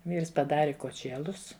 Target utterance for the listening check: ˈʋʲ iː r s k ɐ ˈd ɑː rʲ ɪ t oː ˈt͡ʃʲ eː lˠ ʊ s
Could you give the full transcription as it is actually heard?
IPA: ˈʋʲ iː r s p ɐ ˈd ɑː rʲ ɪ k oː ˈt͡ʃʲ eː lˠ ʊ s